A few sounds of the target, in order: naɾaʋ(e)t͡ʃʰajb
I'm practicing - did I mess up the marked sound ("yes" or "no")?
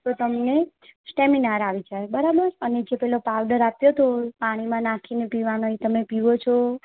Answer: yes